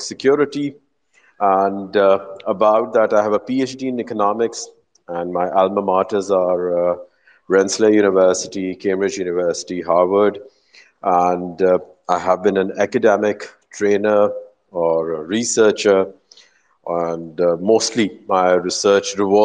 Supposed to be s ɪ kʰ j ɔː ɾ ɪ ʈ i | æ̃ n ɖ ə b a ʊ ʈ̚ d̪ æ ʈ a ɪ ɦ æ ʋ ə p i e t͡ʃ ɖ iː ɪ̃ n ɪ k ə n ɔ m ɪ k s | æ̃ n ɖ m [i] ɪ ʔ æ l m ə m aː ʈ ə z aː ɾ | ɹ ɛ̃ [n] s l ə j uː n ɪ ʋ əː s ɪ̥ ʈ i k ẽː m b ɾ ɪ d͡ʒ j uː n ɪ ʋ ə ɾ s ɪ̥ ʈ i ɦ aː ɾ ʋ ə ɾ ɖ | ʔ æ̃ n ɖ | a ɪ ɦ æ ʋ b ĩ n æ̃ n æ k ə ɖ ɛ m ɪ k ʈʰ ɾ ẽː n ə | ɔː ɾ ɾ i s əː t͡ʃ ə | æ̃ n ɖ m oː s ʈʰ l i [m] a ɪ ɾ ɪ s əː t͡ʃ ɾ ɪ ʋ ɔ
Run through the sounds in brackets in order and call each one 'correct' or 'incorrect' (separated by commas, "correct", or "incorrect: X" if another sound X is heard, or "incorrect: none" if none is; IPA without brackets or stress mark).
incorrect: a, correct, correct